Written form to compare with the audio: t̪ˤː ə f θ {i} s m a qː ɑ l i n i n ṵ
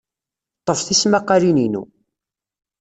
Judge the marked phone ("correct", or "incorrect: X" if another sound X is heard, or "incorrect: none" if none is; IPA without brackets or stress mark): correct